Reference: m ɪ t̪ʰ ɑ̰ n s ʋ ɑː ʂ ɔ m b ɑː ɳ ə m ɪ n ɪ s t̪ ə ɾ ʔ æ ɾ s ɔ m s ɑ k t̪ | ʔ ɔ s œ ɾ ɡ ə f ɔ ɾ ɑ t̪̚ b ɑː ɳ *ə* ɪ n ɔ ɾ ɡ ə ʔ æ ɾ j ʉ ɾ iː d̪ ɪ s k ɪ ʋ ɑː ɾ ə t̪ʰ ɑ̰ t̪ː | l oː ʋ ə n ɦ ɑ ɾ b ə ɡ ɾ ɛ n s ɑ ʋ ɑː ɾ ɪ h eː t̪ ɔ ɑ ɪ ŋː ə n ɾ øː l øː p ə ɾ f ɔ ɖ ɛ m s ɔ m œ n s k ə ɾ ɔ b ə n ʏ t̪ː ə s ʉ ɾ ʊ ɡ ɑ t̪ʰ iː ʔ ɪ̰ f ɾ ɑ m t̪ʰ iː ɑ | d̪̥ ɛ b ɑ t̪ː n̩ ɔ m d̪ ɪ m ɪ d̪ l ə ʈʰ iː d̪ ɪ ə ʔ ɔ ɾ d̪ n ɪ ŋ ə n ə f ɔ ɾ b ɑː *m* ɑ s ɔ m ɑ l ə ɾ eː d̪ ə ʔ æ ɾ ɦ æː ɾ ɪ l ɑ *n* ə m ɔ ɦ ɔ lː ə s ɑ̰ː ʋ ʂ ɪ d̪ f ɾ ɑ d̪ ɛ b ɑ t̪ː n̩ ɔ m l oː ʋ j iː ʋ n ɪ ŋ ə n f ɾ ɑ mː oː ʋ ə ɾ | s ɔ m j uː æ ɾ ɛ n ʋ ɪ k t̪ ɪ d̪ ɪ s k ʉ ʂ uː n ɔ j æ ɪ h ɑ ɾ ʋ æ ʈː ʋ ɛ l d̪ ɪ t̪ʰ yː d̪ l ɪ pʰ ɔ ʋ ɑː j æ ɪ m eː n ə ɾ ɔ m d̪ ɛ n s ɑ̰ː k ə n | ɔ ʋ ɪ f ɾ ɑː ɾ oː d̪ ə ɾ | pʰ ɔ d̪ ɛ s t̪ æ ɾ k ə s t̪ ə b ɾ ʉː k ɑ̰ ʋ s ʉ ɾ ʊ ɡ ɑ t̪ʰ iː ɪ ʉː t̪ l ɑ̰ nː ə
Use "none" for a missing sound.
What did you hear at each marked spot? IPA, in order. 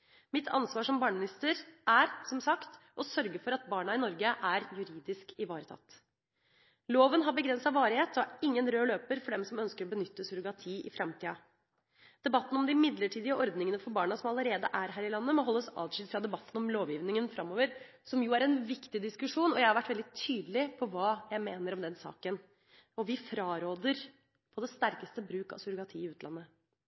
ɑ, ɳ, nː

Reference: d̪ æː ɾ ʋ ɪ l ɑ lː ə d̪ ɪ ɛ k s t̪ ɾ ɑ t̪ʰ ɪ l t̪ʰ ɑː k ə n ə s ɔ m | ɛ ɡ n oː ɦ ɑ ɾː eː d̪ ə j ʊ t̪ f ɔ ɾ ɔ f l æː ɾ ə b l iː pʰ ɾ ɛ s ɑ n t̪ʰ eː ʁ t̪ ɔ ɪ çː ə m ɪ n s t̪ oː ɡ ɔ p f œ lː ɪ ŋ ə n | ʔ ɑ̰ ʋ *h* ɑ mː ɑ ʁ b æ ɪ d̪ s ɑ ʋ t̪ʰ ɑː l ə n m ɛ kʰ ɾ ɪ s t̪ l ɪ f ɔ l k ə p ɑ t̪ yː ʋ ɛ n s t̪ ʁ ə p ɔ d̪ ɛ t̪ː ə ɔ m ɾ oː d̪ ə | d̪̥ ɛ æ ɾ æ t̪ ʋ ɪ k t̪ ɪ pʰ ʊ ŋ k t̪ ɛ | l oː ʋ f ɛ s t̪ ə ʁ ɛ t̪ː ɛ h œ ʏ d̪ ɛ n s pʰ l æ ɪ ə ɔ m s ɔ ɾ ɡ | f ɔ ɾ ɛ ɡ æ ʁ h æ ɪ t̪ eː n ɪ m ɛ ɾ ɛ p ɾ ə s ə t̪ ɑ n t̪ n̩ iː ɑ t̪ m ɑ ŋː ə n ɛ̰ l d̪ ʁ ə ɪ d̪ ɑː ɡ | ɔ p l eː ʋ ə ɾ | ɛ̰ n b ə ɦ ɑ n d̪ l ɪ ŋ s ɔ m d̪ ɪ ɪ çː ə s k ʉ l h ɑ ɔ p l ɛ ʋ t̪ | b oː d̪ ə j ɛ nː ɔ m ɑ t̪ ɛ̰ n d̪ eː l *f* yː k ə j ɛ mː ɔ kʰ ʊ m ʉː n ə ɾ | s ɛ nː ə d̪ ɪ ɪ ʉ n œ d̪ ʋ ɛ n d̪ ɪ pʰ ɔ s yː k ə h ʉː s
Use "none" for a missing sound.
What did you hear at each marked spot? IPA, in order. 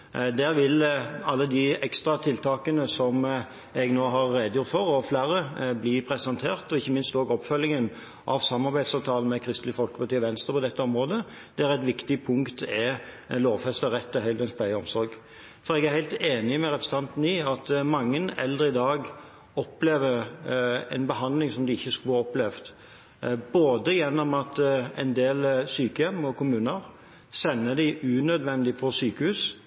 s, s

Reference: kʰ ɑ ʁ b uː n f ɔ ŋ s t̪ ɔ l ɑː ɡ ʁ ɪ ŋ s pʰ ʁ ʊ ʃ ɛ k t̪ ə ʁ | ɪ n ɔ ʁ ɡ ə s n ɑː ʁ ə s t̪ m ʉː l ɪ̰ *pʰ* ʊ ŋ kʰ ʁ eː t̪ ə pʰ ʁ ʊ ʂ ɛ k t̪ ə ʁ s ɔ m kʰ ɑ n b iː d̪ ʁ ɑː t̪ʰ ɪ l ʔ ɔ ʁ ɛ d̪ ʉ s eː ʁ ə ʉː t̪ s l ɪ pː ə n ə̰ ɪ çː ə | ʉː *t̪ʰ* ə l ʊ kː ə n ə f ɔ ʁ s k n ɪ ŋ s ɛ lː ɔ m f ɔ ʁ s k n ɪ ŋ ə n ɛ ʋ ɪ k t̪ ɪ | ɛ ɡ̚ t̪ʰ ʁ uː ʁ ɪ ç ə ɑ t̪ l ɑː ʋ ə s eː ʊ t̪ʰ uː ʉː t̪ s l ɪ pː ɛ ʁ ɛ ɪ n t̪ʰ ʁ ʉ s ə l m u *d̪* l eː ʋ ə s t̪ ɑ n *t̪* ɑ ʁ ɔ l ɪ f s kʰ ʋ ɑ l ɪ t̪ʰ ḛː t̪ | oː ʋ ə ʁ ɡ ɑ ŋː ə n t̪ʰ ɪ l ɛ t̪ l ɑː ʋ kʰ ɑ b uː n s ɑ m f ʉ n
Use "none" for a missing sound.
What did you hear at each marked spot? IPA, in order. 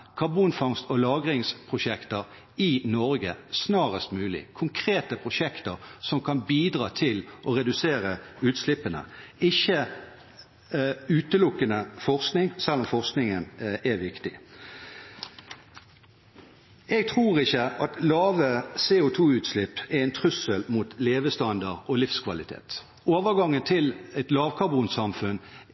kʰ, t̪, t̪, d̪

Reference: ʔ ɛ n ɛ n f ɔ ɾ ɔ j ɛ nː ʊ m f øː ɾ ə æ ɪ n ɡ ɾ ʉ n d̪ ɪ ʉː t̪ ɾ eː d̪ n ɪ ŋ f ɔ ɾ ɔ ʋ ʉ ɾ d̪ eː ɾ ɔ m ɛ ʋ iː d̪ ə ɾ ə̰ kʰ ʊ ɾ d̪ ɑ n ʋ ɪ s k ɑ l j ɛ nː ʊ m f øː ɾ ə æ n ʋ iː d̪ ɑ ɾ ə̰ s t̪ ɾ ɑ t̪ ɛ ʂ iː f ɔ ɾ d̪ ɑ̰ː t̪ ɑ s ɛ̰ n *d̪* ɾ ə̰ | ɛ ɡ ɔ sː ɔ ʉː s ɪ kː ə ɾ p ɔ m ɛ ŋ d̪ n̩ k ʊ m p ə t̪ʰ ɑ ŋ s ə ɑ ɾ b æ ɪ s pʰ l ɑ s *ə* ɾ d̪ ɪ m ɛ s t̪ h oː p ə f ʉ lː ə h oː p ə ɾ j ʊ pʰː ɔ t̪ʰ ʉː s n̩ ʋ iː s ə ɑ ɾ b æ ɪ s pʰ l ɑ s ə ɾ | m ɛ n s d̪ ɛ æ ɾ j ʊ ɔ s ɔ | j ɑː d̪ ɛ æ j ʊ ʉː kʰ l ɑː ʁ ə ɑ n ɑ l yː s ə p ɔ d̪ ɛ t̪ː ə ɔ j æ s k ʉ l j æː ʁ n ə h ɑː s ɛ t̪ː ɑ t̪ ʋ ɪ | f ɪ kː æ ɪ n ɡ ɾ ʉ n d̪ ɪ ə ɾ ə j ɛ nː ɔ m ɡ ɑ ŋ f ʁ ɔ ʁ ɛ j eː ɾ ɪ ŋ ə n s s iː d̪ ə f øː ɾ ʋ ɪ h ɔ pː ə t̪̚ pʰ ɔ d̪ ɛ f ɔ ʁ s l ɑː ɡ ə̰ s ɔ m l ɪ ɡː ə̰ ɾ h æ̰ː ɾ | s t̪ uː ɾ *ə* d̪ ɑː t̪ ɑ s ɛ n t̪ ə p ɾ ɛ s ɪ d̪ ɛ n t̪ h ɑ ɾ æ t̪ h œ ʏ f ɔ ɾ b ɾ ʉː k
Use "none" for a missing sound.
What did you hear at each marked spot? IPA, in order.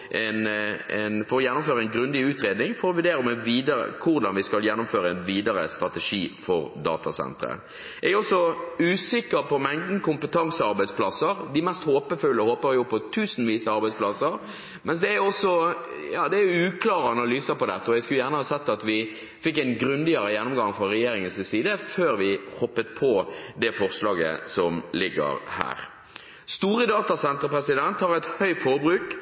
t̪, ə, ə

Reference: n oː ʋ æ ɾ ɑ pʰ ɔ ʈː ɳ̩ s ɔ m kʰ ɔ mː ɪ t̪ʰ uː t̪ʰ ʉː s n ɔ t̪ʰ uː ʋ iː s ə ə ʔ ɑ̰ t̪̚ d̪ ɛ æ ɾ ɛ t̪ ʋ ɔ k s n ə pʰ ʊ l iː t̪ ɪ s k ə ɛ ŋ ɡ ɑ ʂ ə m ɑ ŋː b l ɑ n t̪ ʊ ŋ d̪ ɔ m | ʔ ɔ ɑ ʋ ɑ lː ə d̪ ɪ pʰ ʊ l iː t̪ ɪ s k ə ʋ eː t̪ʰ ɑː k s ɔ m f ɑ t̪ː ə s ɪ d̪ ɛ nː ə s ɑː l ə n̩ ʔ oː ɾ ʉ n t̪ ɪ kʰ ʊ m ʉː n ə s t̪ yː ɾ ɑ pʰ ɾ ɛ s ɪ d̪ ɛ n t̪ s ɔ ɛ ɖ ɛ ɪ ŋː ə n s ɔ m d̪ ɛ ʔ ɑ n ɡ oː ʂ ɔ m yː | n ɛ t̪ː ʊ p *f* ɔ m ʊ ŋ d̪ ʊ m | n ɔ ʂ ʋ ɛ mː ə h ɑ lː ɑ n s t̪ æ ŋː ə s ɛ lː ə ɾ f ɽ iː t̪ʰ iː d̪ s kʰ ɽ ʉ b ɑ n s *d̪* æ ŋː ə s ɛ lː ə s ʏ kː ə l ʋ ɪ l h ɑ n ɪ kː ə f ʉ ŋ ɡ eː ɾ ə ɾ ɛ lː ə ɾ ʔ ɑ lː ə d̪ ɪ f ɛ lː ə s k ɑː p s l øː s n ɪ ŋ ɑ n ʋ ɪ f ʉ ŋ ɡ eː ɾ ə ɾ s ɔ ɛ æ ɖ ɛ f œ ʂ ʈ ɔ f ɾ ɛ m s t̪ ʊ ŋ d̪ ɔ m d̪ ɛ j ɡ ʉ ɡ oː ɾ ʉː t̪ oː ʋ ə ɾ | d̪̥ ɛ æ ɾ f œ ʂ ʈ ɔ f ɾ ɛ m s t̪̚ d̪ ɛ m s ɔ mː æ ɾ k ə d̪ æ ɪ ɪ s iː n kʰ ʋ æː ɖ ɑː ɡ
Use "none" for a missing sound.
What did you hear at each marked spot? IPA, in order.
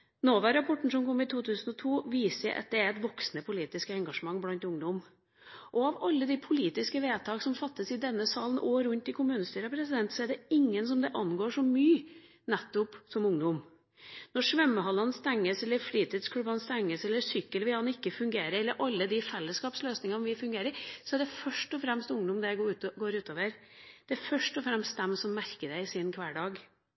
s, t̪

